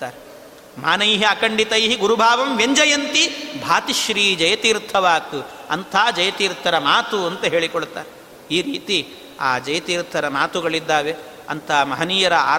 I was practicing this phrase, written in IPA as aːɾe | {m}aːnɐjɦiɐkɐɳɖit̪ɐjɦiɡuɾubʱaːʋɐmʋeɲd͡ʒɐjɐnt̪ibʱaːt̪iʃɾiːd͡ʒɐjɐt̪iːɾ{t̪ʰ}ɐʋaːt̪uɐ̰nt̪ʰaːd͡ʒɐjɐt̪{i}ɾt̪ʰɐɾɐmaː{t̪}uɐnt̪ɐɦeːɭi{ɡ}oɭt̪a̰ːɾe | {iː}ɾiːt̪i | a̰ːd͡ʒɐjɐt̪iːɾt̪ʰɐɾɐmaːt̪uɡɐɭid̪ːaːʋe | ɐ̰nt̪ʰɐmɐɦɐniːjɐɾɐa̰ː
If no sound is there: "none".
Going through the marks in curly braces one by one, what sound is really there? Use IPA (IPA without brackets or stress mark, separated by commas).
m, t̪ʰ, iː, t̪, k, iː